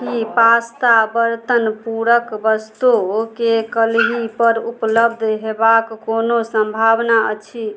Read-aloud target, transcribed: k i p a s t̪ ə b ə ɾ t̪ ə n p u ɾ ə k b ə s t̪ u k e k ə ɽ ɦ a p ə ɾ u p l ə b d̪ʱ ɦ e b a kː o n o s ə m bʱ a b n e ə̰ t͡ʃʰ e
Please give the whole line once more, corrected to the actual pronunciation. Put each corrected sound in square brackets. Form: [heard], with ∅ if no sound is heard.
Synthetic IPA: k i p a s t̪ [a] b ə ɾ t̪ ə n p u ɾ ə k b ə s t̪ u k e k ə [l] ɦ [i] p ə ɾ u p l ə b d̪ʱ ɦ e b a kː o n o s ə m bʱ a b n [a] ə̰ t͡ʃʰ [i]